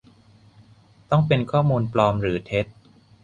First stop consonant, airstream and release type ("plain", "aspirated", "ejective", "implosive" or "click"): plain